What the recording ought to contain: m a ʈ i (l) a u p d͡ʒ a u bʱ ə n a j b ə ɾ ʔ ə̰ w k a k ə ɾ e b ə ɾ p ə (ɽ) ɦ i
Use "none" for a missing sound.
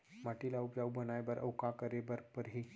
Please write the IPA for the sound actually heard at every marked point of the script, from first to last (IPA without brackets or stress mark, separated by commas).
l, ɾ